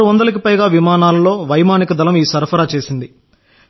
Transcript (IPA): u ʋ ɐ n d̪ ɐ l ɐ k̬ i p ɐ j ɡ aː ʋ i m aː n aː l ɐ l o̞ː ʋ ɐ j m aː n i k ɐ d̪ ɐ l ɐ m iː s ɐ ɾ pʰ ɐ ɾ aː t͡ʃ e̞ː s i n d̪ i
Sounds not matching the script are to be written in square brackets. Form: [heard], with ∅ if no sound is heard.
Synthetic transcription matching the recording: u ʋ ɐ n d̪ ɐ l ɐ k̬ i p ɐ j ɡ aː ʋ i m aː n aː l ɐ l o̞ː ʋ ɐ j m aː n i k ɐ d̪ ɐ l ɐ m iː s ɐ ɾ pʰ ɐ ɾ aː t͡ʃ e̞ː s i n d̪ i